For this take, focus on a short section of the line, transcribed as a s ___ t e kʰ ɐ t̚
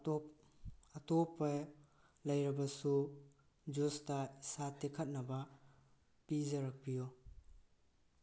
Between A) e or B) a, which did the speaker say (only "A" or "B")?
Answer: B